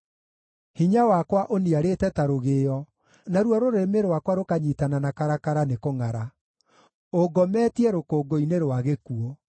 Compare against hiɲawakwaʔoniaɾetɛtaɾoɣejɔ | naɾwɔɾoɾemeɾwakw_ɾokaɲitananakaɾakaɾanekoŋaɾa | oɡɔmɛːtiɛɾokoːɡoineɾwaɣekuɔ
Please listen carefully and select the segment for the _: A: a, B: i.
A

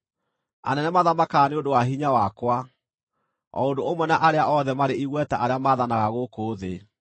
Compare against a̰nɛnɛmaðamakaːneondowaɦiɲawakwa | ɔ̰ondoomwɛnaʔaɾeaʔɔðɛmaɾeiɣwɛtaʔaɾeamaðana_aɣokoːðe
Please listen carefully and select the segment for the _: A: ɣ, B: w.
A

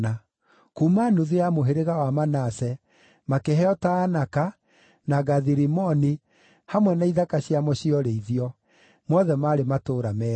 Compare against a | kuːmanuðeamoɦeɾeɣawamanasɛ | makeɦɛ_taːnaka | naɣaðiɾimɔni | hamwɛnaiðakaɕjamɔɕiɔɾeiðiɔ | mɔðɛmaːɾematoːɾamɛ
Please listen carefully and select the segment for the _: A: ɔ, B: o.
A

